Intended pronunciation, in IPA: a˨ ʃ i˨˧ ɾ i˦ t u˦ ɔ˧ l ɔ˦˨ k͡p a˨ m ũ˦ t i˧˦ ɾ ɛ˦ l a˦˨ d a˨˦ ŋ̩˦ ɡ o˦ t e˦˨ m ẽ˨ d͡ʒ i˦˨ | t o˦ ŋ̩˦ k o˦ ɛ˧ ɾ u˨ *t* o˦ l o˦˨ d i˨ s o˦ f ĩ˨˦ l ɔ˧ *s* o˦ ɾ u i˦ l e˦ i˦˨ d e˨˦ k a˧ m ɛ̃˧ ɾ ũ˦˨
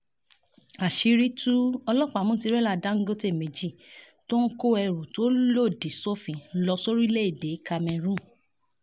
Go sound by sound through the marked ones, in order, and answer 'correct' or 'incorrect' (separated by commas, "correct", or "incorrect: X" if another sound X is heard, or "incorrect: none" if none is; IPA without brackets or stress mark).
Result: correct, correct